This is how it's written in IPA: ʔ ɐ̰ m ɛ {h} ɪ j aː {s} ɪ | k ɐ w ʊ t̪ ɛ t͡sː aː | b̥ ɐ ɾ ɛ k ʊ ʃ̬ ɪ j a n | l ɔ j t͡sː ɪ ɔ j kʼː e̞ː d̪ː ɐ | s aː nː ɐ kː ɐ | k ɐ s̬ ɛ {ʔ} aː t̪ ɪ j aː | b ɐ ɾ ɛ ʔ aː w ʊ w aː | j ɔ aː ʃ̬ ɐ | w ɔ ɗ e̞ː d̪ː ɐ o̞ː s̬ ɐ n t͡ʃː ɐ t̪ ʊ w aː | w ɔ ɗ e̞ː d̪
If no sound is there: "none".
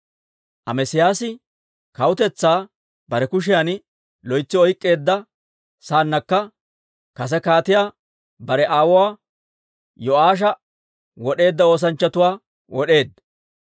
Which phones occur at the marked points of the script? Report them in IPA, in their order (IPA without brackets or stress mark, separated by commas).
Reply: s, s, k